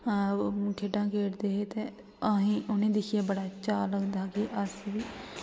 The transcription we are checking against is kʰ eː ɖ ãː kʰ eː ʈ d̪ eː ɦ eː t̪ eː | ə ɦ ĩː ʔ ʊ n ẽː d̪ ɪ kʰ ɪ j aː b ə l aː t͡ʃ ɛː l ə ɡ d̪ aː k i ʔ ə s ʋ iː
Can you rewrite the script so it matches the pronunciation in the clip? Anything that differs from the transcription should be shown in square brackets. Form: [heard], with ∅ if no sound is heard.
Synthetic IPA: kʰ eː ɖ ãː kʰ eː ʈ d̪ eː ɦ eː t̪ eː | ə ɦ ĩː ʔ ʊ n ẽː d̪ ɪ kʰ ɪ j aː b ə [ɽ] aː t͡ʃ [aː] l ə ɡ d̪ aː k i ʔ ə s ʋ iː